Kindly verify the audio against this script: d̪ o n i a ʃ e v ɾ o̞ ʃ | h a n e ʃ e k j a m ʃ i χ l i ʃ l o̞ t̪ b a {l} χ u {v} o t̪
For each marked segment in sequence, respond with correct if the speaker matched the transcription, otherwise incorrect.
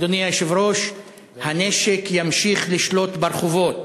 incorrect: ɾ, correct

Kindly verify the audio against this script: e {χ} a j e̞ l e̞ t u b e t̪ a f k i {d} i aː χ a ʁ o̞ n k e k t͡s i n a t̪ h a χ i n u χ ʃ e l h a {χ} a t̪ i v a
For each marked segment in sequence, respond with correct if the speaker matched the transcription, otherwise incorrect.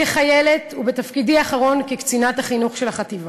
correct, correct, correct

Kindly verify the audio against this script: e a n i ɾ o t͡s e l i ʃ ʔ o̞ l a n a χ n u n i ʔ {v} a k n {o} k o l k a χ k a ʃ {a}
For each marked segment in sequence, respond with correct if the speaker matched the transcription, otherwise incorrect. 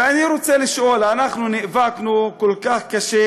correct, incorrect: u, incorrect: e

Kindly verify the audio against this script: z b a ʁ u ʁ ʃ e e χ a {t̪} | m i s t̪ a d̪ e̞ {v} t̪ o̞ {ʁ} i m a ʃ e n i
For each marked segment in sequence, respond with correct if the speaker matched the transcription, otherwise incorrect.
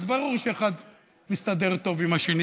incorrect: d̪, incorrect: ʁ, incorrect: v

